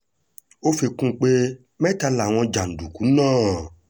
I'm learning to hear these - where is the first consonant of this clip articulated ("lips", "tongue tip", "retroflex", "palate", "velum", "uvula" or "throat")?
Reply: lips